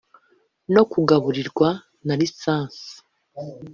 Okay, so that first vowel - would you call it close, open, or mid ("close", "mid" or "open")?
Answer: mid